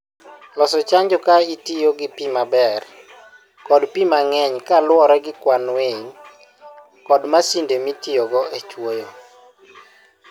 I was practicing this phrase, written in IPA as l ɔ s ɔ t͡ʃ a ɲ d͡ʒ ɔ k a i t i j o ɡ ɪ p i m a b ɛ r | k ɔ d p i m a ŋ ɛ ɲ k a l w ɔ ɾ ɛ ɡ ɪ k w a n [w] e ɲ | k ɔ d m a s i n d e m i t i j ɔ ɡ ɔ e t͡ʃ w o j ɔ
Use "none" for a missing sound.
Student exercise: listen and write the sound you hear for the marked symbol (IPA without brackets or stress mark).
w